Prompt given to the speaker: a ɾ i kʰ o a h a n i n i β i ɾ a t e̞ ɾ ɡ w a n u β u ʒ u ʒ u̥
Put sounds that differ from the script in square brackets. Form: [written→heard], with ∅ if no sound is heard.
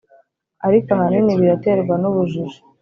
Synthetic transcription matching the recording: a ɾ i [kʰ→k] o a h a n i n i β i ɾ a t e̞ ɾ ɡ w a n u β u ʒ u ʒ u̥